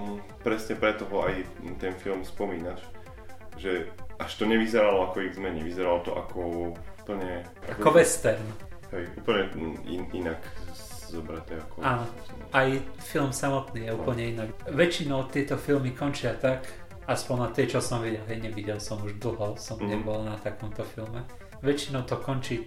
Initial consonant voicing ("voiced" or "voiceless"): voiceless